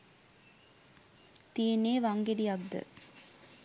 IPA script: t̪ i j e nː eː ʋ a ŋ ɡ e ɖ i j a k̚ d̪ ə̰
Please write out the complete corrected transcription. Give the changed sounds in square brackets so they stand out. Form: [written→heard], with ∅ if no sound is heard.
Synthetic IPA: t̪ i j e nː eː ʋ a ŋ ɡ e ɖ i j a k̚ d̪ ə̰